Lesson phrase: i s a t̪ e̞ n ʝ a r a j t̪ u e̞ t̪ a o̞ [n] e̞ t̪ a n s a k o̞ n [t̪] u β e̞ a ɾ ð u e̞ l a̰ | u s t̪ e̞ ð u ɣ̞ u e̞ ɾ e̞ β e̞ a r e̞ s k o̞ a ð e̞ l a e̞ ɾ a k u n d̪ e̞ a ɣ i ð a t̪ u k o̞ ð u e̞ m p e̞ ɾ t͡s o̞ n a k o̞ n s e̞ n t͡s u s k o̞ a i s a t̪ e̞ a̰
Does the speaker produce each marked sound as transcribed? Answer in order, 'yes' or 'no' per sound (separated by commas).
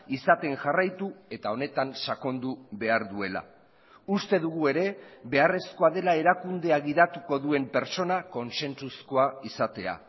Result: yes, no